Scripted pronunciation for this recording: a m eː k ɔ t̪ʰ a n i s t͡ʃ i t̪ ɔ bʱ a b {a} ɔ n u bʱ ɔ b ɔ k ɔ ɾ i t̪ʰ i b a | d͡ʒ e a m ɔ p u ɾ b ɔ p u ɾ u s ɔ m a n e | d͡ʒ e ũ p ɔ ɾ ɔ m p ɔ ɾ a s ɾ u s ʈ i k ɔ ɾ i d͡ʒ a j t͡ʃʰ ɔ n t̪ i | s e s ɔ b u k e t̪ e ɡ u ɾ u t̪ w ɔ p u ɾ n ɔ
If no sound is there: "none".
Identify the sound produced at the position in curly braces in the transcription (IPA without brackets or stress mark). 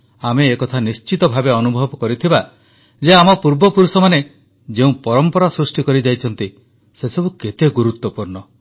e